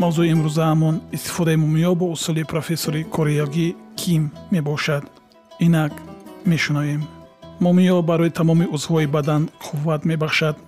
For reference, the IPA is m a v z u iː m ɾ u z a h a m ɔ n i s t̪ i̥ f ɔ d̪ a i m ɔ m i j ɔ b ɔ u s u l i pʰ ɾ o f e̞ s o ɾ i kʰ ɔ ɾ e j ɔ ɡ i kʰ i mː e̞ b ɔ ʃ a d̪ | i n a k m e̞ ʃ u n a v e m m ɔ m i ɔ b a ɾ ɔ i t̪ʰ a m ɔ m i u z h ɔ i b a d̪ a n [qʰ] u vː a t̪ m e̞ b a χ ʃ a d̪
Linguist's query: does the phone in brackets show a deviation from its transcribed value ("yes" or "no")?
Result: no